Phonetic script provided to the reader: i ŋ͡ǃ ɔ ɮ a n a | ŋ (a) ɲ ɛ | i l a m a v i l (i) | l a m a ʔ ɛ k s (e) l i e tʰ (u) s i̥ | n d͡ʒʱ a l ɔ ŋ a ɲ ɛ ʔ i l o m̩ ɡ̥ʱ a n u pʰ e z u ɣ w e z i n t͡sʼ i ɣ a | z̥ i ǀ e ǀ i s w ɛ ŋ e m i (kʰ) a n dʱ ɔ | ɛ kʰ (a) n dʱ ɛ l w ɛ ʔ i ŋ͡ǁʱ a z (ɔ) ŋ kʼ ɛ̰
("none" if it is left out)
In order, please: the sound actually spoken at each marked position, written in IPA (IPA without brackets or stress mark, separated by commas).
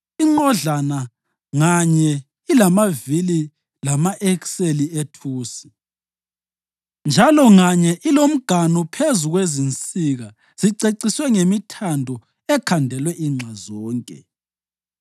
a, i, e, uː, tʰ, a, ɔː